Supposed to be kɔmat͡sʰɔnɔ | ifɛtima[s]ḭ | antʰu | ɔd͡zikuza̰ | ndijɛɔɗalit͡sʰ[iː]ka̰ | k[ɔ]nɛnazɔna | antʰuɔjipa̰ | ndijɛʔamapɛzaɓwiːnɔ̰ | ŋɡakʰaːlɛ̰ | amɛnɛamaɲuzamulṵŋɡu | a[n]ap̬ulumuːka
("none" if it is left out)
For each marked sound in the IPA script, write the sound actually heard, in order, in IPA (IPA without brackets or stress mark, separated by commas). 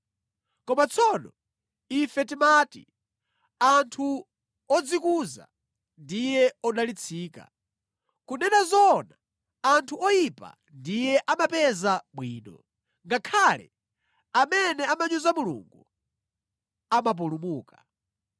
t, iː, u, m